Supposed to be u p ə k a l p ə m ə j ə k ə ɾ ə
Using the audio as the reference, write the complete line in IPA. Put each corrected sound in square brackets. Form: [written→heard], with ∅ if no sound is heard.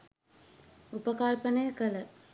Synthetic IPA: u p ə k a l p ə [m→n] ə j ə k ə [ɾ→l] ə